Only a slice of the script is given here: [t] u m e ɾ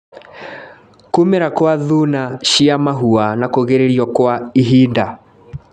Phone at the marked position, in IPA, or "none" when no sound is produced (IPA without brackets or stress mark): k